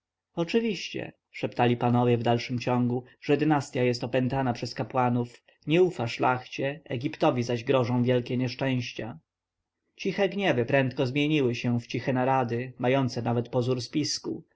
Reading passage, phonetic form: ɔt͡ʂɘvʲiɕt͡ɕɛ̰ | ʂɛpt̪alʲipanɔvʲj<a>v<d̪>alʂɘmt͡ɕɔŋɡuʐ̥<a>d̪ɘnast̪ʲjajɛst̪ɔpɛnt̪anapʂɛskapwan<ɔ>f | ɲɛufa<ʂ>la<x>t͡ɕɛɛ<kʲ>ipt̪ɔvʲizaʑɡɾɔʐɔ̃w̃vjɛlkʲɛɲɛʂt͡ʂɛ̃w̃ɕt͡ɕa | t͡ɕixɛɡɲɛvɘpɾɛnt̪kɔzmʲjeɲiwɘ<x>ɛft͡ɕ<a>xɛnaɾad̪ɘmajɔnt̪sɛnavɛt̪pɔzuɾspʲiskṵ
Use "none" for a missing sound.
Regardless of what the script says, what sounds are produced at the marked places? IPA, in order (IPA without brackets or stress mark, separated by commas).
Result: ɛ, d̪, ɛ, u, ʂ, x, ɡʲ, ɕ, i